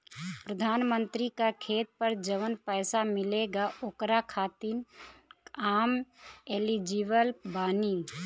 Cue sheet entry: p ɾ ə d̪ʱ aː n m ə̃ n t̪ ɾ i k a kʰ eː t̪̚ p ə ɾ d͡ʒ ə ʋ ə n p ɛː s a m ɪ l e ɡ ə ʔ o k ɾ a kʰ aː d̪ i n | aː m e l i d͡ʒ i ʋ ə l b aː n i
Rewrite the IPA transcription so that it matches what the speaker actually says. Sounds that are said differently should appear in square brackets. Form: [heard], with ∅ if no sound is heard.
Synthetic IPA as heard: p ɾ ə d̪ʱ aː n m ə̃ n t̪ ɾ i k a kʰ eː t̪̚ p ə ɾ d͡ʒ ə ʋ ə n p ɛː s a m ɪ l e ɡ [a] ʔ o k ɾ a kʰ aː [t̪] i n | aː m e l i d͡ʒ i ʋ ə l b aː n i